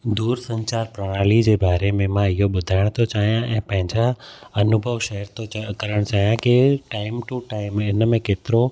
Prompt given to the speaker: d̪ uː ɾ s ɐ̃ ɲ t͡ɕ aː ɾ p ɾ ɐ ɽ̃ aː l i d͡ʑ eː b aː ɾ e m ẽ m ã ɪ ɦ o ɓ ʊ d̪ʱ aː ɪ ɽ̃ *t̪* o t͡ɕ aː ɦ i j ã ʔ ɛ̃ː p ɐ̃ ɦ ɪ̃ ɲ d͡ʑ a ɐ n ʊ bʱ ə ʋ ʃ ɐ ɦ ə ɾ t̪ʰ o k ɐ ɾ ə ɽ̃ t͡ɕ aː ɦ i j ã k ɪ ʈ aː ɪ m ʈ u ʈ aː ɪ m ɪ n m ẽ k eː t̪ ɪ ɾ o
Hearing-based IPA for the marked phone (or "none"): t̪ʰ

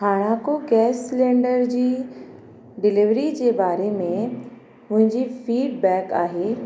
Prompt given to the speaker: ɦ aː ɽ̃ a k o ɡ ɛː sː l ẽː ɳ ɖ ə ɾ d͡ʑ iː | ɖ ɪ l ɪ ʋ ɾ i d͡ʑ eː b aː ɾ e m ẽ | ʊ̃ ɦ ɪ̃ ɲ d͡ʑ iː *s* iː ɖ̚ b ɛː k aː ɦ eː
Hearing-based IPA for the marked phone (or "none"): f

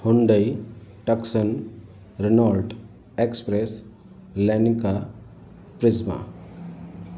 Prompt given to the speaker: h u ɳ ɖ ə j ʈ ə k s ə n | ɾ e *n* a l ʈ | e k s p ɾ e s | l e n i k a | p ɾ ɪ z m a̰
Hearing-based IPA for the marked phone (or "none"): n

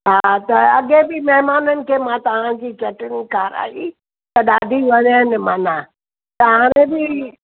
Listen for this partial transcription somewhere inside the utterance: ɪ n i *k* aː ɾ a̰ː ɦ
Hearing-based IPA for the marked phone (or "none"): k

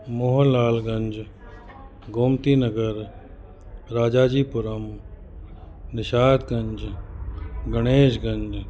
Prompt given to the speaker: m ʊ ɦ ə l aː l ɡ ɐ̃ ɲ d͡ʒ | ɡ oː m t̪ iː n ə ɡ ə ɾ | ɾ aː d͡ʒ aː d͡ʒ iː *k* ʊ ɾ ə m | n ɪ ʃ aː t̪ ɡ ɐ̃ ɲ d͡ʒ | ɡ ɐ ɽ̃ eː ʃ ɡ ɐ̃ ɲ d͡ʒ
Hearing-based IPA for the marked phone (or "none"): p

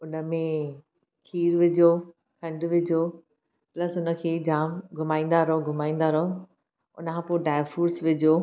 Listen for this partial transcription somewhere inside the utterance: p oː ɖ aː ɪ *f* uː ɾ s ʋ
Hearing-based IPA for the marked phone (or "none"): f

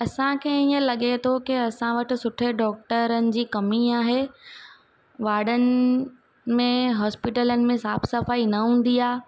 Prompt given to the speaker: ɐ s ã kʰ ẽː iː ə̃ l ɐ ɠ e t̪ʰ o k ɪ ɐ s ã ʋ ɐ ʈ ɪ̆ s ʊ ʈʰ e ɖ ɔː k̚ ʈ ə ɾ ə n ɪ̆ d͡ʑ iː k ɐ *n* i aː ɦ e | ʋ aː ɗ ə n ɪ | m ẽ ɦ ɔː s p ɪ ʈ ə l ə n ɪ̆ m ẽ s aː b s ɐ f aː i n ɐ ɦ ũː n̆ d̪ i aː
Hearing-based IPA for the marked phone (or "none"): m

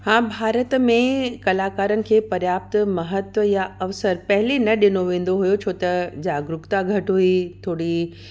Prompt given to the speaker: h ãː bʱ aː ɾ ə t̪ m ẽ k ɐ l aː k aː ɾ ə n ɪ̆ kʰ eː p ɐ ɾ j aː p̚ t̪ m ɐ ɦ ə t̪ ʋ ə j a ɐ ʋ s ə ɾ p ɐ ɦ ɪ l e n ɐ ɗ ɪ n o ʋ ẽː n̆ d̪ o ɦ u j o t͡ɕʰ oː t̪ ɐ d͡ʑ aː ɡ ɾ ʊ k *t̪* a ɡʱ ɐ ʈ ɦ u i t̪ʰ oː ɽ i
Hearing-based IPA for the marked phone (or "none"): t̪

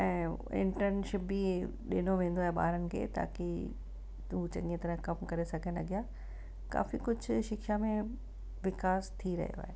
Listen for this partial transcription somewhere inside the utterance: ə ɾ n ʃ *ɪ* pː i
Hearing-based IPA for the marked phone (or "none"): ɪ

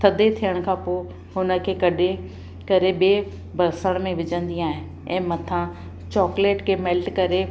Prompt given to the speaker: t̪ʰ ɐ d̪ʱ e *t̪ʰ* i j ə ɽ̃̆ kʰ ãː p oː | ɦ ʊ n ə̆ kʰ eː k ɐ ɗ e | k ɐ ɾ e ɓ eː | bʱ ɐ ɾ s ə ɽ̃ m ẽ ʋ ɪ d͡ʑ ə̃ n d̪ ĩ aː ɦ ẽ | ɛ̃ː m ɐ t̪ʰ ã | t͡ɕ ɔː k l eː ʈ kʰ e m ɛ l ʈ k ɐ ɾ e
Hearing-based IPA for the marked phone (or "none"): t̪ʰ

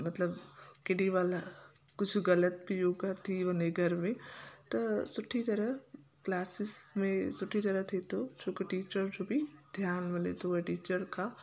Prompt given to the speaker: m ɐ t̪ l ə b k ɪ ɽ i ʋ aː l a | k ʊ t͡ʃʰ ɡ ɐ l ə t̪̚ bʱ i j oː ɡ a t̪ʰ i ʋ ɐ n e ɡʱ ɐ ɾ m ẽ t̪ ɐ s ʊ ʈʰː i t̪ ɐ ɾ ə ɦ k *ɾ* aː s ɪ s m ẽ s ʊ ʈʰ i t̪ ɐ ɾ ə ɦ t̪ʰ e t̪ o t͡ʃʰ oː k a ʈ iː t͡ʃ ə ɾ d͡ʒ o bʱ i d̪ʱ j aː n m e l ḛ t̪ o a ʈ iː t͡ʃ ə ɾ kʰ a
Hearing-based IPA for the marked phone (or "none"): l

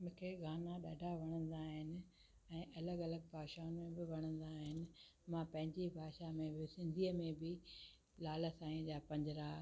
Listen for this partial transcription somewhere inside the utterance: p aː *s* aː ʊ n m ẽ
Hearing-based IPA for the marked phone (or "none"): ʃ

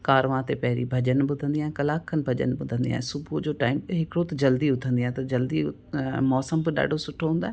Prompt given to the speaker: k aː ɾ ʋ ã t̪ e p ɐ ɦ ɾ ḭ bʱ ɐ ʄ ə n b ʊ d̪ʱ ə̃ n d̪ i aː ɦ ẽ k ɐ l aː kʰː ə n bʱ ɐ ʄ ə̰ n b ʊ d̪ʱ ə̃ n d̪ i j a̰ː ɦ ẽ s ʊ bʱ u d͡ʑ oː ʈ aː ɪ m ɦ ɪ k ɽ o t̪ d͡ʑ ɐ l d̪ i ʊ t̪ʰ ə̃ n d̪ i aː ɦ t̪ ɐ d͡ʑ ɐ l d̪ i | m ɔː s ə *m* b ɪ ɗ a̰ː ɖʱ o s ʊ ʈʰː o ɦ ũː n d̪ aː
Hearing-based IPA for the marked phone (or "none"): m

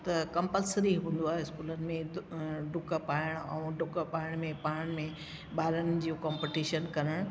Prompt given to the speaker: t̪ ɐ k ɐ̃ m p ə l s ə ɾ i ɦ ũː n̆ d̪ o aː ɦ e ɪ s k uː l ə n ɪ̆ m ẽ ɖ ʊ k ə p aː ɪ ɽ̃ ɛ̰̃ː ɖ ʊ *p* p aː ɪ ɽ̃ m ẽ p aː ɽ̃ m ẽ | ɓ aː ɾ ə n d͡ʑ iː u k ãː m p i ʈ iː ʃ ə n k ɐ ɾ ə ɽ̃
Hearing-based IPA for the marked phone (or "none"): k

